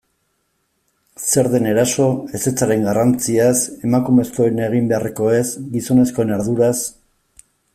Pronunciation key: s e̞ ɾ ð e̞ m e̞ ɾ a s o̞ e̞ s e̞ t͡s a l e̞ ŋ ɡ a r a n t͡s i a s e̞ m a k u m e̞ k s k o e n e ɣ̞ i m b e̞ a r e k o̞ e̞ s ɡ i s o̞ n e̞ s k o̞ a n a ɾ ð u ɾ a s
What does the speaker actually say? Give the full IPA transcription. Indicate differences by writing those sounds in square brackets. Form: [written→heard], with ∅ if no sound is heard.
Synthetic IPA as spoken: s e̞ ɾ ð e̞ [m→n] e̞ ɾ a s o̞ e̞ s e̞ t͡s a [l→ɾ] e̞ ŋ ɡ a r a n t͡s i a s e̞ m a k u m e̞ [k→∅] s k o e n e ɣ̞ i m b e̞ a r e k o̞ e̞ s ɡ i s o̞ n e̞ s k o̞ [a→e] n a ɾ ð u ɾ a s